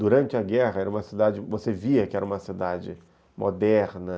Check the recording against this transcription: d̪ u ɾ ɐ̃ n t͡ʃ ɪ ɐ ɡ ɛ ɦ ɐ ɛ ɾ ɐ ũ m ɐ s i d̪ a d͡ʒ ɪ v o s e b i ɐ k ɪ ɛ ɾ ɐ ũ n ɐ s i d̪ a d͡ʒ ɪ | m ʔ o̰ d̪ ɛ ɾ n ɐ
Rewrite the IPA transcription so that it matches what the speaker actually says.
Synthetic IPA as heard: d̪ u ɾ ɐ̃ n t͡ʃ ɪ ɐ ɡ ɛ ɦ ɐ ɛ ɾ ɐ ũ m ɐ s i d̪ a d͡ʒ ɪ v o s e v i ɐ k ɪ ɛ ɾ ɐ ũ m ɐ s i d̪ a d͡ʒ ɪ | m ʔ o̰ d̪ ɛ ɾ n ɐ